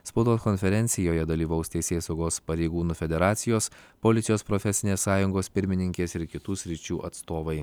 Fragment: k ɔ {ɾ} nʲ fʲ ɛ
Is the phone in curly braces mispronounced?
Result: yes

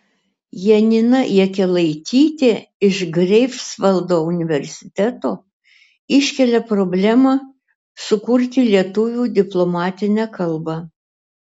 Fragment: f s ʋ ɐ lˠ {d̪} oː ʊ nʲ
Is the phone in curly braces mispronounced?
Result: no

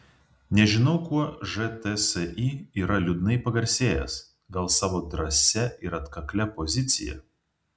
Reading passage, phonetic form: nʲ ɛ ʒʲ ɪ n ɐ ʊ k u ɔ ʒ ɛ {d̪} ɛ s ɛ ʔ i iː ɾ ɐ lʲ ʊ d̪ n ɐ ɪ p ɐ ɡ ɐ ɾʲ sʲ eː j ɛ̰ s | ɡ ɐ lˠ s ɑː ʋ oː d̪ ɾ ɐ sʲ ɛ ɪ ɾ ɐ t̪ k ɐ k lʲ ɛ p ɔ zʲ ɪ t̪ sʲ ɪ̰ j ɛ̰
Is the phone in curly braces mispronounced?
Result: yes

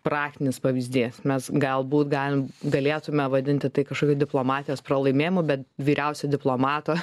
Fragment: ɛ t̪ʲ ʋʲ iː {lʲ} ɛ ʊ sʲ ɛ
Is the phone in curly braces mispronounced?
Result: yes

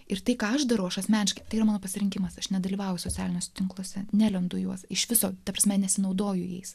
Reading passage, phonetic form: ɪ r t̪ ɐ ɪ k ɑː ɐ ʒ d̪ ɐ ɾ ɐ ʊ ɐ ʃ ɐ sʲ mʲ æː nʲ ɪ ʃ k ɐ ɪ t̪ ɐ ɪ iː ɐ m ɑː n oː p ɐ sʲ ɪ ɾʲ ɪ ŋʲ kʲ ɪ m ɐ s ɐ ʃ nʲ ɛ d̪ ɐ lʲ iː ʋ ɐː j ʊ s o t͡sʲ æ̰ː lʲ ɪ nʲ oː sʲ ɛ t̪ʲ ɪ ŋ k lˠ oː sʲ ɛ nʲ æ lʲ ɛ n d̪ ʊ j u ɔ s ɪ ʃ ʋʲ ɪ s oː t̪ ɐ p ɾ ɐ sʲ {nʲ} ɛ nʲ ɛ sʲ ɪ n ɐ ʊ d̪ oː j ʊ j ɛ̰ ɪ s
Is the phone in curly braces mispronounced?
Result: yes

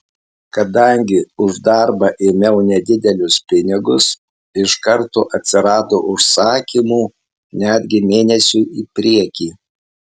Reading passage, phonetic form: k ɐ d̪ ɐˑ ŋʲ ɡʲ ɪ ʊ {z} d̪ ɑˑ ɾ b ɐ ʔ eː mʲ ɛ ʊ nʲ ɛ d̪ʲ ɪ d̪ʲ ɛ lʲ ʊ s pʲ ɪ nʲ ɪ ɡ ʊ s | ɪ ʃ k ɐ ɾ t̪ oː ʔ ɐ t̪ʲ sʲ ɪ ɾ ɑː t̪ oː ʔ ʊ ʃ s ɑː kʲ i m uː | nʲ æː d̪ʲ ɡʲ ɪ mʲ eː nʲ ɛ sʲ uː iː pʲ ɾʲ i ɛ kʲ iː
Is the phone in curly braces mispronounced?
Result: yes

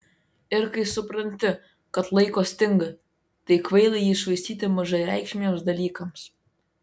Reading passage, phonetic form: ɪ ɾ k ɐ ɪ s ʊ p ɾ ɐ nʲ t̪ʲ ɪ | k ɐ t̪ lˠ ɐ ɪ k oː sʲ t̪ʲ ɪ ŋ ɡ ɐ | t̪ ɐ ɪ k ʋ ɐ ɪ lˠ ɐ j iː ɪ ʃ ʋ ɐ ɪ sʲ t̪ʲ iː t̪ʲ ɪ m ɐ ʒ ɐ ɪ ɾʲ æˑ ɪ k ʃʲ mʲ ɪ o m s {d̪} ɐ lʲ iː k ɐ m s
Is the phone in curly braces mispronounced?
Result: no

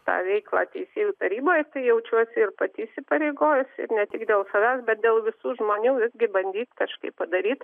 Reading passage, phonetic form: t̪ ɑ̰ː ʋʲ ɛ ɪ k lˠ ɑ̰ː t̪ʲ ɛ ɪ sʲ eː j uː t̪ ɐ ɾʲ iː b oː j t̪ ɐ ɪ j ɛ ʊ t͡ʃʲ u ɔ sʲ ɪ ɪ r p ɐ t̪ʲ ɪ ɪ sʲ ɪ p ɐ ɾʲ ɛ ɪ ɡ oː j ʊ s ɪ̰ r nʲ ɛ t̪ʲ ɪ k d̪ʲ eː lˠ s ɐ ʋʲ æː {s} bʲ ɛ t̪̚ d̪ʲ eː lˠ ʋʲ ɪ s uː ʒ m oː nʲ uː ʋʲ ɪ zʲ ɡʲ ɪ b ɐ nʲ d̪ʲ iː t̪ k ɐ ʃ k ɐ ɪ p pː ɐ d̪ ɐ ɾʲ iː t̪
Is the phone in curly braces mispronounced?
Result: no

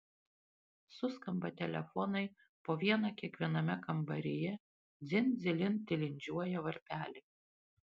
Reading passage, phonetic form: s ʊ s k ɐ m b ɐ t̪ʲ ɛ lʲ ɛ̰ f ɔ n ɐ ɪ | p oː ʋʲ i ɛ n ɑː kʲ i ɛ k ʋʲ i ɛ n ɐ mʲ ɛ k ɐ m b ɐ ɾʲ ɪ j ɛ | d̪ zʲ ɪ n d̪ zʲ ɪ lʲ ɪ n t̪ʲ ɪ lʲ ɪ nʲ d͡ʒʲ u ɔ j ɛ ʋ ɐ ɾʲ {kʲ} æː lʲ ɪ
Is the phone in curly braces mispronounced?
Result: yes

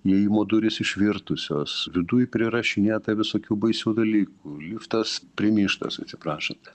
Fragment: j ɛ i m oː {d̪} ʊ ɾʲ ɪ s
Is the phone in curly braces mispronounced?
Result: no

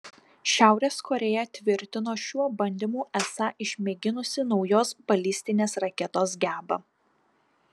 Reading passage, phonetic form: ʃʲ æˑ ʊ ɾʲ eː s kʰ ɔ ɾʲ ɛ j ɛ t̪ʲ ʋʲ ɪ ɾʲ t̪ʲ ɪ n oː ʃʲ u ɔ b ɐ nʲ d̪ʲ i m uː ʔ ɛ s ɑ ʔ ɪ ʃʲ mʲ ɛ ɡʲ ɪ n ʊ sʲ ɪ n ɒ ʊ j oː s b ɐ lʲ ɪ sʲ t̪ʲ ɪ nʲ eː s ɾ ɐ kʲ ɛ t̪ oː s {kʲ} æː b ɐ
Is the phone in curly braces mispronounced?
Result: yes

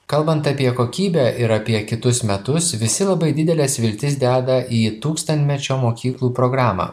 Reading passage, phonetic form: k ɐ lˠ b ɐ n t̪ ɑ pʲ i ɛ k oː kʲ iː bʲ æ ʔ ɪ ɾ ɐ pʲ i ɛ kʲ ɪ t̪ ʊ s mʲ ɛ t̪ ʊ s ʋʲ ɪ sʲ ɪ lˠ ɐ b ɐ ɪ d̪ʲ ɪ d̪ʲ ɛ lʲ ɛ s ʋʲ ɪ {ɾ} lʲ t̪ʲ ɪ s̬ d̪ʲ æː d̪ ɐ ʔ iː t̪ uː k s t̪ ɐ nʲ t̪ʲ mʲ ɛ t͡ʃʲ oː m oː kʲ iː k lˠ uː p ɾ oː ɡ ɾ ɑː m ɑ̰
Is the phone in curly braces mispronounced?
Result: yes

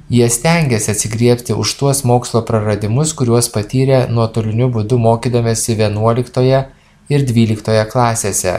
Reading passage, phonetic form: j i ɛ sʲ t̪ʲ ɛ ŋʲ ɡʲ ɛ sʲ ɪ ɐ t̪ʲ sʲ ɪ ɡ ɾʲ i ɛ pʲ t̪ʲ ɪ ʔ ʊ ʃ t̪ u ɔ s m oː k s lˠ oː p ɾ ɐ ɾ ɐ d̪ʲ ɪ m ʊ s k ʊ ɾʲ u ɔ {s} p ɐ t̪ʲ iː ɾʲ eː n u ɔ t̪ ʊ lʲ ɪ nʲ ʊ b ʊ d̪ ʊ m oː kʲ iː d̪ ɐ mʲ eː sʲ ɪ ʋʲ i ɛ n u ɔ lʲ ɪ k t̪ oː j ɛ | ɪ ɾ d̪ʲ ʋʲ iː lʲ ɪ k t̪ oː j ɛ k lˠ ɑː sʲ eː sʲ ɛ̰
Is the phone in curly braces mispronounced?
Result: no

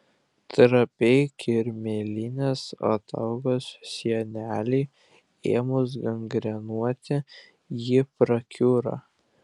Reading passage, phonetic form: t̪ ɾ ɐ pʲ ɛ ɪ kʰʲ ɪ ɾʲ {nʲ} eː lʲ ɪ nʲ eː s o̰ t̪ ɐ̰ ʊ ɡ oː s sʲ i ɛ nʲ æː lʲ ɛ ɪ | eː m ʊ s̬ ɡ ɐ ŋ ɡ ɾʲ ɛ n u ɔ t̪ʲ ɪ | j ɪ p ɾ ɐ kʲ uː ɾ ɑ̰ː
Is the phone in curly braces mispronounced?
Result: yes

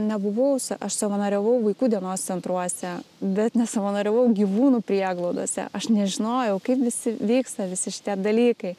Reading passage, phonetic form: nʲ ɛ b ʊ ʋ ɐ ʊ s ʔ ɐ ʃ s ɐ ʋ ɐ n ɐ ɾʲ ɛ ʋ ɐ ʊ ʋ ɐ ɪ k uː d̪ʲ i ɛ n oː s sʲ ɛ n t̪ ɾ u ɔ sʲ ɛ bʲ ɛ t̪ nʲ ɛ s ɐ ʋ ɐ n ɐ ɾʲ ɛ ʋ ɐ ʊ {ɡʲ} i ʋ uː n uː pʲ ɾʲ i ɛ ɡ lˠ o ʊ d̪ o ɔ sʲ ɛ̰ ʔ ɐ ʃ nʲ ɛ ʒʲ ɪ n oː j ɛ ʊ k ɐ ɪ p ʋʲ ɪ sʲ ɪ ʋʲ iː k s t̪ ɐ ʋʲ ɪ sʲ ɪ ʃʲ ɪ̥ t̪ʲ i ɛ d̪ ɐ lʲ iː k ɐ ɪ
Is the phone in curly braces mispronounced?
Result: no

